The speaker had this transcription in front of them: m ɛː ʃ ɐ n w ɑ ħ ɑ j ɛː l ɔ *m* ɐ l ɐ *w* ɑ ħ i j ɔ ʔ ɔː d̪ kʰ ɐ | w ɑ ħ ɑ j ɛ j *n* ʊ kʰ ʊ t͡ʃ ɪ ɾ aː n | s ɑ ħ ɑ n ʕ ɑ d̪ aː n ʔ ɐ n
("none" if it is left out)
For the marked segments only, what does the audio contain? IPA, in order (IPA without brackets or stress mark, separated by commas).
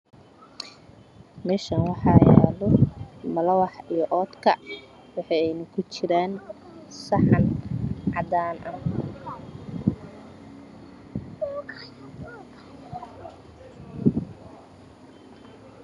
m, w, n